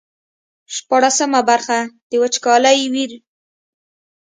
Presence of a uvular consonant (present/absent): absent